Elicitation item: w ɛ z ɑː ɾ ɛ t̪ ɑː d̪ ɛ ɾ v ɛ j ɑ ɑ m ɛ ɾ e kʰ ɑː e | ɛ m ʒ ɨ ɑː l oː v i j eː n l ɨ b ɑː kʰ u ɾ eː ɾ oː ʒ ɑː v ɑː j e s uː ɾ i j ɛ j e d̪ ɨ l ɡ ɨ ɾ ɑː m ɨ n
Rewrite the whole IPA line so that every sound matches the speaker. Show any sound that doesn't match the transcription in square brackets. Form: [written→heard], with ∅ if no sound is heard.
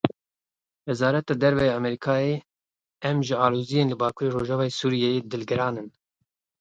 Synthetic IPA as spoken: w ɛ z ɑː ɾ ɛ t̪ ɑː d̪ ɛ ɾ v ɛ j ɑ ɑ m ɛ ɾ [e→i] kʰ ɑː e | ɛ m ʒ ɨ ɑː l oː [v→z] i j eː n l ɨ b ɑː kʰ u ɾ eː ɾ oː ʒ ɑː v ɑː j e s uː ɾ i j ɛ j e d̪ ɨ l ɡ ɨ ɾ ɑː [m→n] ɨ n